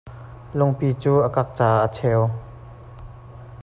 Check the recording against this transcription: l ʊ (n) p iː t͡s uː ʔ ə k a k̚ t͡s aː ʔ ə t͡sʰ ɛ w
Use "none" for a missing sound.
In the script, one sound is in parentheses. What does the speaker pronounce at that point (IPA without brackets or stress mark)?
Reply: ŋ